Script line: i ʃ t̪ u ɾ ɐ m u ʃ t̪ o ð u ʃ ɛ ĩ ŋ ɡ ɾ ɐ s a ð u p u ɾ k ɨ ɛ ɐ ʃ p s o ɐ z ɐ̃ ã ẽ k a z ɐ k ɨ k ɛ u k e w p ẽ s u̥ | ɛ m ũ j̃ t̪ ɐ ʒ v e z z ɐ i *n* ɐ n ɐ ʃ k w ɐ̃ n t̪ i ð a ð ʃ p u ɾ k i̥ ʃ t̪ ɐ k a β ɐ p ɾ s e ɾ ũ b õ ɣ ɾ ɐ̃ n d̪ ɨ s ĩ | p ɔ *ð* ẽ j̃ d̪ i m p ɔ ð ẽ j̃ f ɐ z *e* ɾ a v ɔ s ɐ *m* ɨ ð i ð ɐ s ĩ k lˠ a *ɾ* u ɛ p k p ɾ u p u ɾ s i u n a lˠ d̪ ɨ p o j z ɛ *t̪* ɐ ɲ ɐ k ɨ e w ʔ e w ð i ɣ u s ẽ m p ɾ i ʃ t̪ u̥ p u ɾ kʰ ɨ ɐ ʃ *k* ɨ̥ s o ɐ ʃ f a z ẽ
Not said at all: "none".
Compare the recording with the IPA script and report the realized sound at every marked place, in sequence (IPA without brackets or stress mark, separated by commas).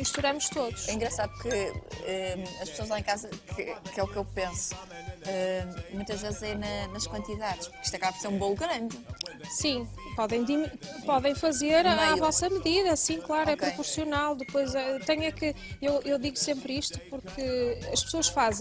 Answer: n, ð, e, m, ɾ, t̪, p